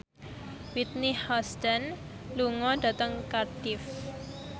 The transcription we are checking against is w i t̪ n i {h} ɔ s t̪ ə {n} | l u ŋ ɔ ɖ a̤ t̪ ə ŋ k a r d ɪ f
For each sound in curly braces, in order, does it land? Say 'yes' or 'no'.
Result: yes, yes

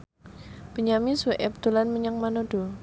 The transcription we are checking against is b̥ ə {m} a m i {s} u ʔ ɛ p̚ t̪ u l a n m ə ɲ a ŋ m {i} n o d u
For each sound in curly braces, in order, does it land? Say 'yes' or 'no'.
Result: no, yes, no

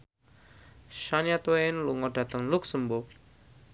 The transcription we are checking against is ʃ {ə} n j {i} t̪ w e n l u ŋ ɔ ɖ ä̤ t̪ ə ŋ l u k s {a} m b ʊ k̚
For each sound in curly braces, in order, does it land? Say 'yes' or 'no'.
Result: no, no, no

